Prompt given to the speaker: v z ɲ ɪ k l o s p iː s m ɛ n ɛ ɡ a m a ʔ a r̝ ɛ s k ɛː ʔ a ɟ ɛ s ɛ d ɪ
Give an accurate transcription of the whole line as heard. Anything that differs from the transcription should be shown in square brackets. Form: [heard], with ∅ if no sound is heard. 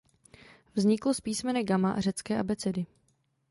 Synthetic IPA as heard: v z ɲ ɪ k l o s p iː s m ɛ n ɛ ɡ a m a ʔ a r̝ ɛ [t͡s] k ɛː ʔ a [b] ɛ [t͡s] ɛ d ɪ